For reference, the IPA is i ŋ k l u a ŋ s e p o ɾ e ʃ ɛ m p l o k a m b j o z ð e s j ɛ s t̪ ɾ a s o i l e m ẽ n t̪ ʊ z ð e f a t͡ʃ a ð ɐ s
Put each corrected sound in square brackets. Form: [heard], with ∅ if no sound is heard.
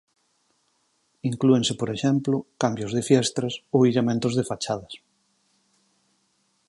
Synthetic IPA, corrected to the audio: i ŋ k l u [e] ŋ s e p o ɾ e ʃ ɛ m p l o k a m b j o z ð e [f] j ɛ s t̪ ɾ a s o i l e m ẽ n t̪ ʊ z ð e f a t͡ʃ a ð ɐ s